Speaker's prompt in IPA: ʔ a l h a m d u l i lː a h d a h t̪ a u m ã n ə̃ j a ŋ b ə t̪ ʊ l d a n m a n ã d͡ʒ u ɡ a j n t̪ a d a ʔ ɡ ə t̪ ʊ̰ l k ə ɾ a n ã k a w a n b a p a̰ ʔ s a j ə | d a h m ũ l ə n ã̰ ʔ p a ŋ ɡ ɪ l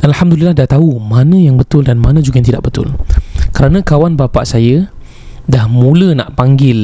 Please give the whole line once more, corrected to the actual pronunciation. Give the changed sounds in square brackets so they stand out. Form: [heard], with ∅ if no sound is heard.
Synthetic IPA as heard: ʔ a l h a m d u l i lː a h d a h t̪ a u m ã n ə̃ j a ŋ b ə t̪ ʊ l d a n m a n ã d͡ʒ u ɡ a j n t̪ [i] d a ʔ [b] ə t̪ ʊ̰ l k ə ɾ a n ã k a w a n b a p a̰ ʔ s a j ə | d a h m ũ l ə n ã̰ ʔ p a ŋ ɡ ɪ l